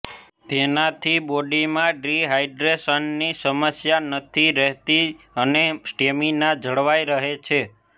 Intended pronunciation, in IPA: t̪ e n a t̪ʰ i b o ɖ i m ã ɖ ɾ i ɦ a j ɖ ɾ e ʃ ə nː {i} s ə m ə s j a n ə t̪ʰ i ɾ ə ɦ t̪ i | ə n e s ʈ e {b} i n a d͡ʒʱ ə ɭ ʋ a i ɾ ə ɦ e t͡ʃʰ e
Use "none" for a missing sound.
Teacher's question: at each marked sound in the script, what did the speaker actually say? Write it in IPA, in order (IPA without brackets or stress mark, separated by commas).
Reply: i, m